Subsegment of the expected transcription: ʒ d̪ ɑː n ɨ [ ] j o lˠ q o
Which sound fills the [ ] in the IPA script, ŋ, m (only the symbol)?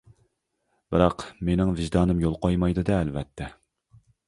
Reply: m